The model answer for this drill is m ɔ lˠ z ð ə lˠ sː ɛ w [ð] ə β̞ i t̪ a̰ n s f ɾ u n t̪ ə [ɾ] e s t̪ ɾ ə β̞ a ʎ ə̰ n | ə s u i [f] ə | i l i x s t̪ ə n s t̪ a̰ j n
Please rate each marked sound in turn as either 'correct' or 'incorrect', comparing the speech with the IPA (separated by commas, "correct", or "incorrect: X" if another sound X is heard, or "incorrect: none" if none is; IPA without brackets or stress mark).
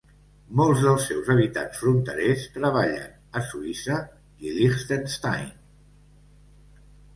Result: incorrect: z, correct, incorrect: s